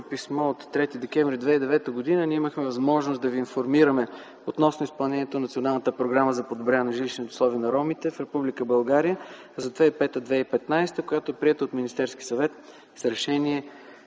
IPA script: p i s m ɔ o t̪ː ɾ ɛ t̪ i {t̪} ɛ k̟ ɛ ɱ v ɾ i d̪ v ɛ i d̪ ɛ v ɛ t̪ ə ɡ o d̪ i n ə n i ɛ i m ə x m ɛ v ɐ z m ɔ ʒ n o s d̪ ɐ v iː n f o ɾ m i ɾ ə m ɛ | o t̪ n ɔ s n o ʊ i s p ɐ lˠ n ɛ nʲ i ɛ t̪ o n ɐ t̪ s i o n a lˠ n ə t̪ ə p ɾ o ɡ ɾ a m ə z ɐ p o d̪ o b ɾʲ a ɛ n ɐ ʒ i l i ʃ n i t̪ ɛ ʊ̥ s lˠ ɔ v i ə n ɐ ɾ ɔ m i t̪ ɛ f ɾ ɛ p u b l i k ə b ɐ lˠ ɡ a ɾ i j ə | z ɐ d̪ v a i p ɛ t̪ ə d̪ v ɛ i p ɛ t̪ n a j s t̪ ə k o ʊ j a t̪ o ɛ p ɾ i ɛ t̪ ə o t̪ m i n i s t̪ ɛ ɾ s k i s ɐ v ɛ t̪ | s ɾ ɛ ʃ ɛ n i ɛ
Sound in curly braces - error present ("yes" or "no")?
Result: yes